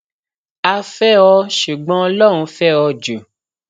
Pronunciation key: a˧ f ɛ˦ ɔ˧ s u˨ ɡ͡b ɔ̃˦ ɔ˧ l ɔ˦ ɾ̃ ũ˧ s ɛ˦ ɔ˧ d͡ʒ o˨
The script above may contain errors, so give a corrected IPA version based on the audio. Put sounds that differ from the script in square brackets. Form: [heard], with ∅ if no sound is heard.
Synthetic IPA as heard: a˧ f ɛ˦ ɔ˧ [ʃ] u˨ ɡ͡b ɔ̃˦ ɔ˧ l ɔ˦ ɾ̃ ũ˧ [f] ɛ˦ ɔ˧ d͡ʒ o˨